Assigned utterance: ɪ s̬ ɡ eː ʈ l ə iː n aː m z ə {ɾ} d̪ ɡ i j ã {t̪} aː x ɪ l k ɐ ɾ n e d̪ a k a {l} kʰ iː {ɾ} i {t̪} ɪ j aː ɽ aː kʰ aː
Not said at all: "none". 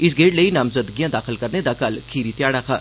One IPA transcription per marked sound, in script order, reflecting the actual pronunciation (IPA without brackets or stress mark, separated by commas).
none, d̪, l, ɾ, t̪